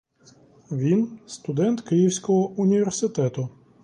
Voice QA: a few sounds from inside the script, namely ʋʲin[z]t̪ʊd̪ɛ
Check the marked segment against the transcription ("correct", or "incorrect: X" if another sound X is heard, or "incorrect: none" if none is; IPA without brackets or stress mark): incorrect: s